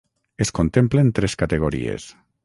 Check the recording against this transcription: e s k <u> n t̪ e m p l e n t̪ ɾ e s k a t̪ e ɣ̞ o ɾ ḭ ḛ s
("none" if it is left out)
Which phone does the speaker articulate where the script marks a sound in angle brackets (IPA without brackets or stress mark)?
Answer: o